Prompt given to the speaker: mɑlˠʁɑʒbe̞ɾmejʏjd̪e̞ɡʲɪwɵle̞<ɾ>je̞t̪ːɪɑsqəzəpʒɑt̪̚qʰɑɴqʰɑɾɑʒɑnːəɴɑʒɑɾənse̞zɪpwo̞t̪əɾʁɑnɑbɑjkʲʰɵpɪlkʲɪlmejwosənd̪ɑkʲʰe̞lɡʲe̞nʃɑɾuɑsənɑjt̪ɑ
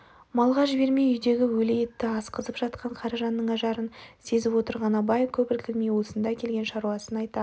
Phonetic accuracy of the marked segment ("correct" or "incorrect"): incorrect